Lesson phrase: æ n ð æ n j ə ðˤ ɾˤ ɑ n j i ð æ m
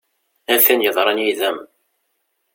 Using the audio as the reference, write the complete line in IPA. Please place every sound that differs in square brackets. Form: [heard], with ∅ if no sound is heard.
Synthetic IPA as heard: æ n [θ] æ n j ə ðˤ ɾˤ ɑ n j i ð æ m